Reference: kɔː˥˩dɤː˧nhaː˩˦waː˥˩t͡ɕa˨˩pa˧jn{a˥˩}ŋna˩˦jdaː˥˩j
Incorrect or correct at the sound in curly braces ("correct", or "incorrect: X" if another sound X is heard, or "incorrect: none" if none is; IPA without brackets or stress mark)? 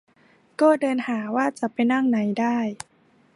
correct